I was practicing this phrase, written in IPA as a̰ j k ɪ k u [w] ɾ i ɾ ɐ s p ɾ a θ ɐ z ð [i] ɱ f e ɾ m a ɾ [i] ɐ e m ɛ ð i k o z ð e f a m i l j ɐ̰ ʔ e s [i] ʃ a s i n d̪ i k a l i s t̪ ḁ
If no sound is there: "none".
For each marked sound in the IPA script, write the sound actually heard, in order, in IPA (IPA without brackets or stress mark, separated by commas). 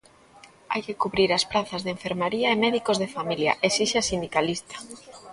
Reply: β, e, i, i